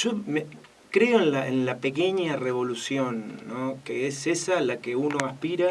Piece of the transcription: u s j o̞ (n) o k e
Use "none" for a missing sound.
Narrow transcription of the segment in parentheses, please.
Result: nː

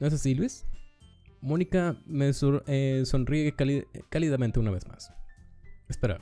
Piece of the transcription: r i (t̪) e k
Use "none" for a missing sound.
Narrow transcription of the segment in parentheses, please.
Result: none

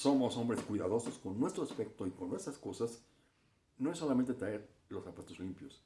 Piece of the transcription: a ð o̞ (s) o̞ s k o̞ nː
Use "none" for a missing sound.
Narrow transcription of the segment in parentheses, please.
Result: s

